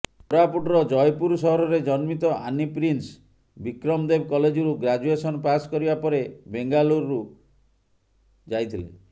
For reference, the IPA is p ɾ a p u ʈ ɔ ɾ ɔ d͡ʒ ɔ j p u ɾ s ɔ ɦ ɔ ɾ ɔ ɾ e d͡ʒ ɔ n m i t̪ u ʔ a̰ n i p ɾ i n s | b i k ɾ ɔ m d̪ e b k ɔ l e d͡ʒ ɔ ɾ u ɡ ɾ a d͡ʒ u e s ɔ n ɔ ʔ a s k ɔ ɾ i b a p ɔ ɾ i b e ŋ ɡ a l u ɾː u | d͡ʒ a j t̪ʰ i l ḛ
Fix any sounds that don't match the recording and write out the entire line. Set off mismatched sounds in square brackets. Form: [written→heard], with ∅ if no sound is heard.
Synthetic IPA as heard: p ɾ a p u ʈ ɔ ɾ ɔ d͡ʒ ɔ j p u ɾ s ɔ ɦ ɔ ɾ ɔ ɾ e d͡ʒ ɔ n m i t̪ [u→ɔ] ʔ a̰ n i p ɾ i n s | b i k ɾ ɔ m d̪ e b k ɔ l e d͡ʒ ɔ ɾ u ɡ ɾ a d͡ʒ u e s ɔ n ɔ [ʔ→p] a s k ɔ ɾ i b a p ɔ ɾ [i→e] b e ŋ ɡ a l u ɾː u | d͡ʒ a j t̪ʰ i l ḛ